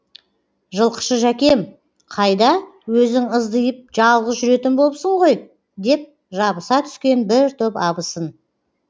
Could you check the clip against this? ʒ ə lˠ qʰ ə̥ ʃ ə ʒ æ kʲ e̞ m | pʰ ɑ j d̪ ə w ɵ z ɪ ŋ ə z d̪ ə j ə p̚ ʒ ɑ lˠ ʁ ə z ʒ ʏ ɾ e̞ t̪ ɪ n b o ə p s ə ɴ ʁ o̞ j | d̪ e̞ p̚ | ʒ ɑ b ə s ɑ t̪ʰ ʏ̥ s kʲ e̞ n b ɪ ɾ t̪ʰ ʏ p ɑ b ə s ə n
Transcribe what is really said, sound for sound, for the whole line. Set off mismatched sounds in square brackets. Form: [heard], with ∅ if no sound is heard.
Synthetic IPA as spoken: ʒ ə lˠ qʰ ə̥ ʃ ə ʒ æ kʲ e̞ m | [qʰ] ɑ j d̪ [ɑ] w ɵ z ɪ ŋ ə z d̪ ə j ə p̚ ʒ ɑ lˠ ʁ ə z ʒ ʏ ɾ e̞ t̪ ɪ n b o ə p s ə ɴ ʁ o̞ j | d̪ e̞ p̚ | ʒ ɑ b ə s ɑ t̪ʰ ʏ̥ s kʲ e̞ n b ɪ ɾ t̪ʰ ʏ p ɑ b ə s ə n